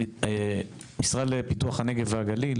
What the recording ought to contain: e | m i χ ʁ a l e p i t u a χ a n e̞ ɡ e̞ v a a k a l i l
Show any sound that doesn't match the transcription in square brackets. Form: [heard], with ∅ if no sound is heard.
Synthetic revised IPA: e | m i [s] ʁ a l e p i t u a χ a n e̞ ɡ e̞ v [e] a [ɡ] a l i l